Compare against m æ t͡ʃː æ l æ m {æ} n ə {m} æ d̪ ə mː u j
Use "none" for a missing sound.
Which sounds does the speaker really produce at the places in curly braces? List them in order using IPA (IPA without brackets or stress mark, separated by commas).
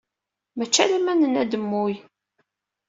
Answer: æ, n